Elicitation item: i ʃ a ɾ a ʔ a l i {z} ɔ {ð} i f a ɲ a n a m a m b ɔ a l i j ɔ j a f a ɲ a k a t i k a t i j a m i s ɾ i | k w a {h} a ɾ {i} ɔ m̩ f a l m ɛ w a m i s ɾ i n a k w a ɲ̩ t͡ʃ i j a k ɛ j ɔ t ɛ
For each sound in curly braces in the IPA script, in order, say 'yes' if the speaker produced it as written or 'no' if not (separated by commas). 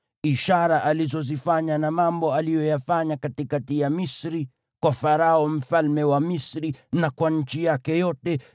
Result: yes, no, no, no